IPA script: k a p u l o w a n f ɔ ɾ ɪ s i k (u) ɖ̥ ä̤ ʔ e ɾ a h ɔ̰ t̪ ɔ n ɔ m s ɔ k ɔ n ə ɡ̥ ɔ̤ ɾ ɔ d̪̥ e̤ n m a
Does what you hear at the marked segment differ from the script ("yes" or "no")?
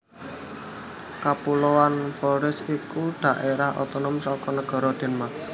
no